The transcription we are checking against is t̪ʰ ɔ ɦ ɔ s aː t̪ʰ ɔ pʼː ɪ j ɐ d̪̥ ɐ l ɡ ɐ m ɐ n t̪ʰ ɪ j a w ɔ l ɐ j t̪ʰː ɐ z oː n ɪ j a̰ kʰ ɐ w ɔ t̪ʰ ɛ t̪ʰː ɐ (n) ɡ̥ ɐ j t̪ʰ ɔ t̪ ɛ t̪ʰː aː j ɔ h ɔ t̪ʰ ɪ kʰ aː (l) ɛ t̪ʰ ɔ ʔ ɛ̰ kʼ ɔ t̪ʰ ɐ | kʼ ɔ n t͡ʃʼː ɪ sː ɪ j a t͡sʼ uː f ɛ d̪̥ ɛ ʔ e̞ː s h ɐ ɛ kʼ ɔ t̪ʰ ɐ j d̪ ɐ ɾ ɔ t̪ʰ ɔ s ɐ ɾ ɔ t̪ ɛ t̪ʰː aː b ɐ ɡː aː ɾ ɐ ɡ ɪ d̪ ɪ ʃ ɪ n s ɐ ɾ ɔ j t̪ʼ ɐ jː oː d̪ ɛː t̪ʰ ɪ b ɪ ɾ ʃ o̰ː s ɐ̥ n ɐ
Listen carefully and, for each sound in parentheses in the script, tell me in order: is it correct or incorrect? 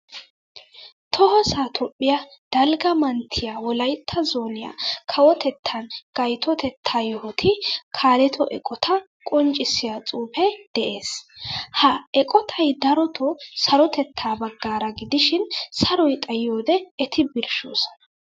correct, correct

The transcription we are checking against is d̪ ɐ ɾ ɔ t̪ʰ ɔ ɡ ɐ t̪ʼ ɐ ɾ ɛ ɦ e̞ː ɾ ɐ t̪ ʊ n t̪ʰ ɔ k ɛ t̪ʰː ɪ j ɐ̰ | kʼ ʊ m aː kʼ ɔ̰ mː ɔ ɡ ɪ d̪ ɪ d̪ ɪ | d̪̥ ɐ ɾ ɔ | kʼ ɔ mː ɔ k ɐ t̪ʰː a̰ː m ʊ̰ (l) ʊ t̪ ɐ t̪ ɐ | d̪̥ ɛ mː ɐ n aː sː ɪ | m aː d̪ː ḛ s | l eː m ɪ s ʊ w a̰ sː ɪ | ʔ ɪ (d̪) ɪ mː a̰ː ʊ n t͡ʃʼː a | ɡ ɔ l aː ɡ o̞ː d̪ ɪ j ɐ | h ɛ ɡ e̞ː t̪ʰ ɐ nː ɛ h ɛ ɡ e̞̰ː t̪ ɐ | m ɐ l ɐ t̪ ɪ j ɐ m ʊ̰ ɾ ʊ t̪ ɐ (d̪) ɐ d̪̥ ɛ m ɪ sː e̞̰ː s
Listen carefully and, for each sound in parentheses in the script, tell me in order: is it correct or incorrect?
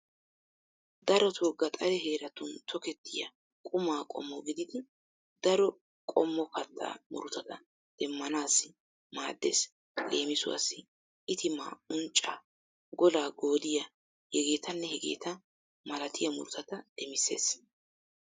incorrect: ɾ, incorrect: t̪, incorrect: t̪

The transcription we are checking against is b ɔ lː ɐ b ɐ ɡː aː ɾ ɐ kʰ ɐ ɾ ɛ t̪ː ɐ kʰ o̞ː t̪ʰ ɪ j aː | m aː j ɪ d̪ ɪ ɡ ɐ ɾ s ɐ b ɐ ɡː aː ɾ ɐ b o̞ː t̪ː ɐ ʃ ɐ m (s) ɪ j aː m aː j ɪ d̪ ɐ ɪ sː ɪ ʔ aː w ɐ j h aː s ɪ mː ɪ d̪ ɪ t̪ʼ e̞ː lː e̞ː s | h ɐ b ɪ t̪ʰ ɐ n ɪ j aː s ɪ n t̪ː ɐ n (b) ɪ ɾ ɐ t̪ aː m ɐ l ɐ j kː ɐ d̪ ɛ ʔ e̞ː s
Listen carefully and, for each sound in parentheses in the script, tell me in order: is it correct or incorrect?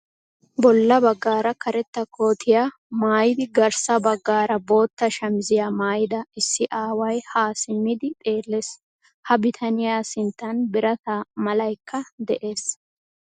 incorrect: z, correct

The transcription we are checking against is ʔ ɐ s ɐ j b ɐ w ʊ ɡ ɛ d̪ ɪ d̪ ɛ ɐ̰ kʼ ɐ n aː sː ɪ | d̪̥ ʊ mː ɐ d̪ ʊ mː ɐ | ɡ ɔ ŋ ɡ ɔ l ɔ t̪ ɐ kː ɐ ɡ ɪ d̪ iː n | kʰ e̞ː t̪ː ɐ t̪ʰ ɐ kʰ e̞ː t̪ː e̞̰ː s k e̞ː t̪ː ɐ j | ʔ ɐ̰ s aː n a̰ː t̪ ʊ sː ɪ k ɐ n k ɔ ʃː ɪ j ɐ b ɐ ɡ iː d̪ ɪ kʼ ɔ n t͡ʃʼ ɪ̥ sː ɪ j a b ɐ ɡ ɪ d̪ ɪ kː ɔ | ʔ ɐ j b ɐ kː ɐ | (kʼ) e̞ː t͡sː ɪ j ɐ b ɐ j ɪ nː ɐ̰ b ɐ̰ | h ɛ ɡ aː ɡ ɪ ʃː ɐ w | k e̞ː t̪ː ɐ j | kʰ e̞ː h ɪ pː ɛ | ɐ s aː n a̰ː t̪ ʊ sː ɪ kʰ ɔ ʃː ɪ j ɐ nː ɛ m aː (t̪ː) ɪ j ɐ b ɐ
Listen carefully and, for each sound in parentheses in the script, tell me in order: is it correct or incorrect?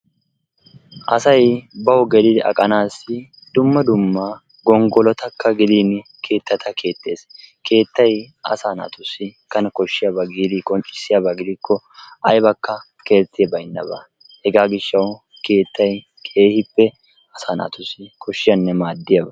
incorrect: k, incorrect: d̪ː

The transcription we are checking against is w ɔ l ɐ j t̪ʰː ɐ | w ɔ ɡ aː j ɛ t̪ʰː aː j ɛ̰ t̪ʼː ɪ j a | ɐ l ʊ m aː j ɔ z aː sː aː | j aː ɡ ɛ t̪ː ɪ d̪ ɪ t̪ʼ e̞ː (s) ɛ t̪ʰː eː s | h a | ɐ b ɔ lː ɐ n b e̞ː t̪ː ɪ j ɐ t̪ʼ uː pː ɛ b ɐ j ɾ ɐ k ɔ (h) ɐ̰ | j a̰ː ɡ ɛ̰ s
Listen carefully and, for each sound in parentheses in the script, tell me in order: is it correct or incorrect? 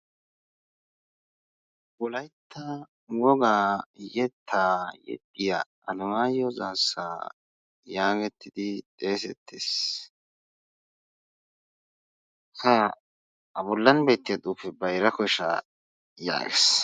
correct, incorrect: ʃ

